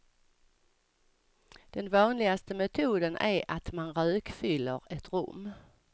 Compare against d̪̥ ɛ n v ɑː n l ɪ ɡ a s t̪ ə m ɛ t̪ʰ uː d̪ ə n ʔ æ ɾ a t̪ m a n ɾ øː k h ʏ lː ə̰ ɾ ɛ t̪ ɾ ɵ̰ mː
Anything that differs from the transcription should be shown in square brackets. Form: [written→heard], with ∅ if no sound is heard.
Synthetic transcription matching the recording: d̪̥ ɛ n v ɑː n l ɪ ɡ a s t̪ ə m ɛ t̪ʰ uː d̪ ə n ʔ æ ɾ a t̪ m a n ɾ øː k [h→f] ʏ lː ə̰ ɾ ɛ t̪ ɾ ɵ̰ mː